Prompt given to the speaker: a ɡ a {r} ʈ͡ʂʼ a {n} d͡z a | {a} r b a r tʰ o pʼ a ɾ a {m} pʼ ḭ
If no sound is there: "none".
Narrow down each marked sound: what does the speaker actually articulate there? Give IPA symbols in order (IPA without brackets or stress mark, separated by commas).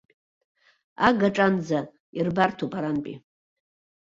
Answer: none, n, i, n